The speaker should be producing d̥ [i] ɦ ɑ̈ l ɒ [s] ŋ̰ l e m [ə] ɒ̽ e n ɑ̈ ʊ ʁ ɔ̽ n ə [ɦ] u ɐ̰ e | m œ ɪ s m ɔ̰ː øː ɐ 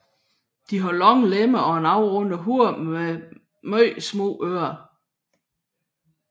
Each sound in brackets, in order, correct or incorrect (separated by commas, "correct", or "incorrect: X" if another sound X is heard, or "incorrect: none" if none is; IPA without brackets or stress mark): correct, incorrect: none, correct, correct